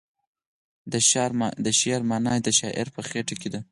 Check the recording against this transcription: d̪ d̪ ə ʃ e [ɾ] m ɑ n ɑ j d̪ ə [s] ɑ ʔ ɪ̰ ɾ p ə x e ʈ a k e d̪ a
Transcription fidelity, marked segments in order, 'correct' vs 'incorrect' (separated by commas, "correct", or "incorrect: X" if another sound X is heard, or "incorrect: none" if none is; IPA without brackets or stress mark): correct, incorrect: ʃ